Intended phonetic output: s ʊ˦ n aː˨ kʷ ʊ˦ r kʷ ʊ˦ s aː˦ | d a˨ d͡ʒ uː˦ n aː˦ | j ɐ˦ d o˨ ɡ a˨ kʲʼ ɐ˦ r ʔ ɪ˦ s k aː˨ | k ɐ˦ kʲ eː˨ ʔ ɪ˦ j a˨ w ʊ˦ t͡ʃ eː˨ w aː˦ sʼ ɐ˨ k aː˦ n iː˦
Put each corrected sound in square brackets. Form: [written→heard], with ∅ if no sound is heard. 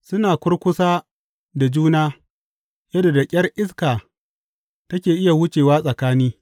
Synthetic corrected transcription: s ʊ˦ n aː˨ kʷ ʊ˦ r kʷ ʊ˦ s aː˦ | d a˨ d͡ʒ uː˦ n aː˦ | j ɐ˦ d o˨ [ɡ→d] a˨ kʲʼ ɐ˦ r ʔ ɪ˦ s k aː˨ | [k→t] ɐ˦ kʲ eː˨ ʔ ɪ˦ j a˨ w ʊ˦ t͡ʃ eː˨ w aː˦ sʼ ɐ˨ k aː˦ n iː˦